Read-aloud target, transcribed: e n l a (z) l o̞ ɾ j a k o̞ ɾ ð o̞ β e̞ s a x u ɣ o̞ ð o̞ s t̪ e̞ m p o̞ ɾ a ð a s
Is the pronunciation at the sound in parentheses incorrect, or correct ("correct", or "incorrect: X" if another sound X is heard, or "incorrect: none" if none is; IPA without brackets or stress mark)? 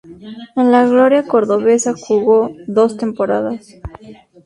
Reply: incorrect: ɣ